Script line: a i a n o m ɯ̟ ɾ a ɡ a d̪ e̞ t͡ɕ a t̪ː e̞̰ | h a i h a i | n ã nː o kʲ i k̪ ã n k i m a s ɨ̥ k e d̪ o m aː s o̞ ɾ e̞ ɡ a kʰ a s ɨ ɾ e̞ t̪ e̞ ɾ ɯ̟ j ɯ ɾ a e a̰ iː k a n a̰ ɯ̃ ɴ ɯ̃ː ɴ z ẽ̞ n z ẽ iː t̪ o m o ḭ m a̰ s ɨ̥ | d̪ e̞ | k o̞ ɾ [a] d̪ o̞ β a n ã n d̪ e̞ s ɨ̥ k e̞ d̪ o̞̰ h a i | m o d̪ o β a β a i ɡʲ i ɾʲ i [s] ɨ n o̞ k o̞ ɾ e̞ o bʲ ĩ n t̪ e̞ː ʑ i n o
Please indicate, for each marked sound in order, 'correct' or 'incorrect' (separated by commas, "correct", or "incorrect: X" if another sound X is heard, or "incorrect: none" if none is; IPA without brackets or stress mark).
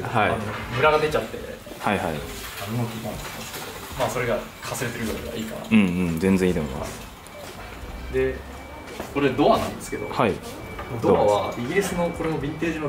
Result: incorrect: e, correct